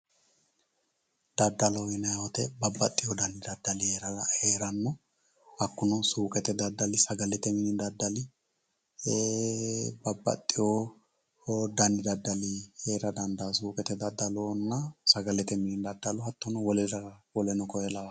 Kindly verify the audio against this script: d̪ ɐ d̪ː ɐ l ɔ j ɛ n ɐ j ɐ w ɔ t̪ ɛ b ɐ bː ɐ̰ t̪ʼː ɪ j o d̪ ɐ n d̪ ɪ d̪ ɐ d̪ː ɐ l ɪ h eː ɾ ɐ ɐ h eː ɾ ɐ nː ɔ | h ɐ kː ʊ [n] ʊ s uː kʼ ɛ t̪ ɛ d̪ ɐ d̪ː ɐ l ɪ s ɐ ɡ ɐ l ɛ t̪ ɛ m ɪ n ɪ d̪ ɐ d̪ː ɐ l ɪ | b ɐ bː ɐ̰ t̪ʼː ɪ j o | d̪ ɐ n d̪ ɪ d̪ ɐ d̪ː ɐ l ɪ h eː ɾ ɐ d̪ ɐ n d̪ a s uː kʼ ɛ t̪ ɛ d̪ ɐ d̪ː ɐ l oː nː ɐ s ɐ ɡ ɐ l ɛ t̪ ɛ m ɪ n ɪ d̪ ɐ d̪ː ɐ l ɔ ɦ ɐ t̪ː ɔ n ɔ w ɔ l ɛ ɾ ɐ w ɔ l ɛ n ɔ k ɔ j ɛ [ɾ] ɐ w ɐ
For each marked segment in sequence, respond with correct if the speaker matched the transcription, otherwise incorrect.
correct, incorrect: l

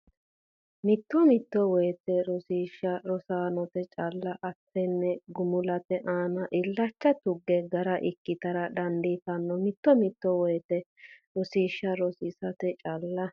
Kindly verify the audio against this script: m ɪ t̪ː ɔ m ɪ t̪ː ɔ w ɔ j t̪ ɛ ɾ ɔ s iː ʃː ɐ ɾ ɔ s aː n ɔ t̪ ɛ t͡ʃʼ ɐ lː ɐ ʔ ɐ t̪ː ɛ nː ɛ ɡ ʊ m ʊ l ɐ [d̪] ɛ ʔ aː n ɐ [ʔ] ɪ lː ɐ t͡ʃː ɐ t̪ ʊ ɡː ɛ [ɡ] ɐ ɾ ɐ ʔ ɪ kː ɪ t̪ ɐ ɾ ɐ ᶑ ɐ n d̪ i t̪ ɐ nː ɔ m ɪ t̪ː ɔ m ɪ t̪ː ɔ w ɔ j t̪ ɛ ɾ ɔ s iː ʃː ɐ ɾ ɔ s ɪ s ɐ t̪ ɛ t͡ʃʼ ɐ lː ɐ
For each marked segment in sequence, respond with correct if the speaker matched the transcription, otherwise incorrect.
incorrect: t̪, correct, correct

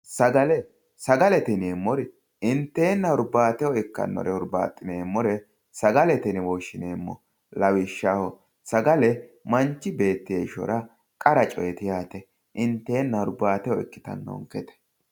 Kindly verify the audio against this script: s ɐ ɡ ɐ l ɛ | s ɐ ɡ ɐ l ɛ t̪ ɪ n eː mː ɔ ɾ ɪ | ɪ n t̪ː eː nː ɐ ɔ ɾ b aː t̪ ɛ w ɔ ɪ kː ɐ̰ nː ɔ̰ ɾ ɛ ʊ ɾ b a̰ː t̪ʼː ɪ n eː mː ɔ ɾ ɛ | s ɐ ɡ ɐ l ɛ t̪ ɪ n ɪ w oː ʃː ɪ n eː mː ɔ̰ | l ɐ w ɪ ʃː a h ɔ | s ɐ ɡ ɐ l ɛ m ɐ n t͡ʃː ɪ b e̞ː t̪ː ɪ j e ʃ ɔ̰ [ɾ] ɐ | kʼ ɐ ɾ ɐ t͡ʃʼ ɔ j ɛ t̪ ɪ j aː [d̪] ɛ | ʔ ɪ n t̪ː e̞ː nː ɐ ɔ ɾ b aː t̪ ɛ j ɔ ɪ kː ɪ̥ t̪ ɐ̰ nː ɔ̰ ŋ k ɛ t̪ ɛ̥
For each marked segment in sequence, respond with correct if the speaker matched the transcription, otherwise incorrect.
correct, incorrect: t̪

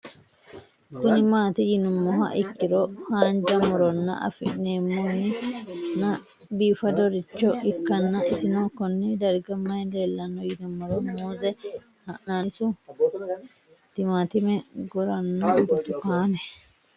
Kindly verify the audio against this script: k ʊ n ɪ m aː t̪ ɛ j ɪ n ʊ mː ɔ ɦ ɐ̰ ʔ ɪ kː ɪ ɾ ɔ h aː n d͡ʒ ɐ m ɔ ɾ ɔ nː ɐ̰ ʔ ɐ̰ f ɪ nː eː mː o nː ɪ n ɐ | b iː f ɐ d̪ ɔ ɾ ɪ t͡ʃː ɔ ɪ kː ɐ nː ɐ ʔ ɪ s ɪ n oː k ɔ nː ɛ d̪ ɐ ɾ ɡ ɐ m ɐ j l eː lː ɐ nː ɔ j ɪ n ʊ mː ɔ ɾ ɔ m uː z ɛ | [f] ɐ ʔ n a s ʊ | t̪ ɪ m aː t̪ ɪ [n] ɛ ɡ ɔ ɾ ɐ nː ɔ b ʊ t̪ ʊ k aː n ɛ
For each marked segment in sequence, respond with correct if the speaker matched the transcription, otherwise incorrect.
incorrect: h, incorrect: m

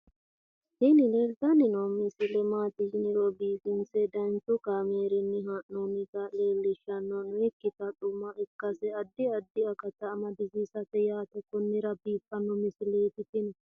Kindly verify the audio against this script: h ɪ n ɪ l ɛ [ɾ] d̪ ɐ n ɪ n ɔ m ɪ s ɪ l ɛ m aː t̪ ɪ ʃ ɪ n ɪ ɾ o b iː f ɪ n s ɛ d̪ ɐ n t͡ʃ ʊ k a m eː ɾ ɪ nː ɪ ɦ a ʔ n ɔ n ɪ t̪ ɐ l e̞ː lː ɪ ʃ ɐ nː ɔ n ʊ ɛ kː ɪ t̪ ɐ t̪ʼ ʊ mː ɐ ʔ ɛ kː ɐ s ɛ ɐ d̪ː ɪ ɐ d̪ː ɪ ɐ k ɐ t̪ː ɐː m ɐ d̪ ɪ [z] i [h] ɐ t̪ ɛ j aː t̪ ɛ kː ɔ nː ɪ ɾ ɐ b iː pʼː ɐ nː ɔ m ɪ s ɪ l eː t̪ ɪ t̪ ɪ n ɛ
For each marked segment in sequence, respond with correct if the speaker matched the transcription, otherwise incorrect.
correct, correct, incorrect: s

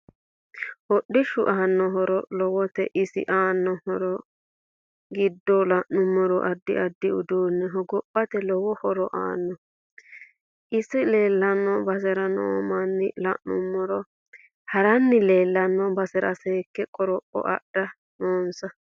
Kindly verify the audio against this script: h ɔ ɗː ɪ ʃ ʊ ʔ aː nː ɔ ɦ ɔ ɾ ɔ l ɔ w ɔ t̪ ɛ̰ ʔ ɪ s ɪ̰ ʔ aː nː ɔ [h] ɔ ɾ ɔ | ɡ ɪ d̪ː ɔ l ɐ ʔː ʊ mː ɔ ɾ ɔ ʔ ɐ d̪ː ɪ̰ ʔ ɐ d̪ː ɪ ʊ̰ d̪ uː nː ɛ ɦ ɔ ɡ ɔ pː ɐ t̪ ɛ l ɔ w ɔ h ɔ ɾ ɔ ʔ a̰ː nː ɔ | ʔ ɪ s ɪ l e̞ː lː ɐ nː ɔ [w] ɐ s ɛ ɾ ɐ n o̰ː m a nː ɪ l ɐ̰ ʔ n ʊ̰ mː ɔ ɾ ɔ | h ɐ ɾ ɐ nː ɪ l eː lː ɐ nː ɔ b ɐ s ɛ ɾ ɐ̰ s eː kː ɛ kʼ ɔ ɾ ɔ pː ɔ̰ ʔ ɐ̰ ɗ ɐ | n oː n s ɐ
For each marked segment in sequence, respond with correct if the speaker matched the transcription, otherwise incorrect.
correct, incorrect: b

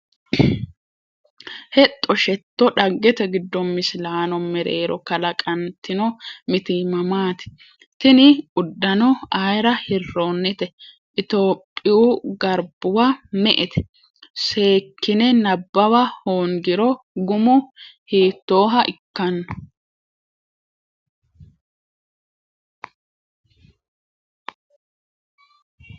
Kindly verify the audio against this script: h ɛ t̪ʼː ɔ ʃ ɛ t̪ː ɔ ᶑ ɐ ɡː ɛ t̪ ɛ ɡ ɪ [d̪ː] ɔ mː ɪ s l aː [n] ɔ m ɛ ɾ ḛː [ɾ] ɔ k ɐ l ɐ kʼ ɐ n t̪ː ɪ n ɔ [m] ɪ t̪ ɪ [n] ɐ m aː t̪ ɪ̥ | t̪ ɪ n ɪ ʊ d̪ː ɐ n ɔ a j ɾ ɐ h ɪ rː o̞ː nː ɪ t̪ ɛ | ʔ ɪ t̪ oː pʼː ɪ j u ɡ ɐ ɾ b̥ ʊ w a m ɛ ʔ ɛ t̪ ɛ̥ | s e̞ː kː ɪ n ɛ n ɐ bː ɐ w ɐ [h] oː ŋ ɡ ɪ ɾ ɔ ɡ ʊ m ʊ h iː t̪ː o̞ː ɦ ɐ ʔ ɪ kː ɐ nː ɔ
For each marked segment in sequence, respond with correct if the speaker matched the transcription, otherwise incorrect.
correct, correct, correct, correct, incorrect: m, correct

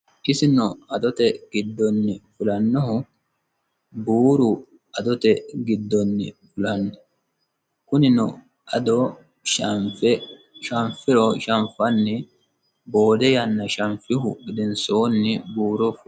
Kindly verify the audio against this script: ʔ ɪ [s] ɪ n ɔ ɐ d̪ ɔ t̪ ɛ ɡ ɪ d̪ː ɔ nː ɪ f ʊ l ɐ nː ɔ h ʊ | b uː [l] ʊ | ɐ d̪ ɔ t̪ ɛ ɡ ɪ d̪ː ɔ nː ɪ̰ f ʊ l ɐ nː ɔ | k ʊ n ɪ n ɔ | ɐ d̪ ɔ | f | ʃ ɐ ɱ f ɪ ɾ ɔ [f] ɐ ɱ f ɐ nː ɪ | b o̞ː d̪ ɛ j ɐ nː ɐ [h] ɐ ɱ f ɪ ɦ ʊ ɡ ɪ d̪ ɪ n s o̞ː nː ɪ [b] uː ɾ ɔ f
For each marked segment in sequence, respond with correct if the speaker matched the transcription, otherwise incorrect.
correct, incorrect: ɾ, incorrect: ʃ, incorrect: ʃ, correct

